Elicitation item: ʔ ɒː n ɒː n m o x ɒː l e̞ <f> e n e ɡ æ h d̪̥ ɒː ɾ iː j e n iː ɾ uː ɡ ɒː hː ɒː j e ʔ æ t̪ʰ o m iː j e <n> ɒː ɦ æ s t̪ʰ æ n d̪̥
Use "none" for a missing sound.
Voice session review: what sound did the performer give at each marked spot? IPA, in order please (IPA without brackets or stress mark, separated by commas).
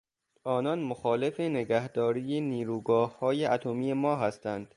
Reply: f, m